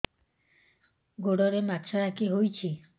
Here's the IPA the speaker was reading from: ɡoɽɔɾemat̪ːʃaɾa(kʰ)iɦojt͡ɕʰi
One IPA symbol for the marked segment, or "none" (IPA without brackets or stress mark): k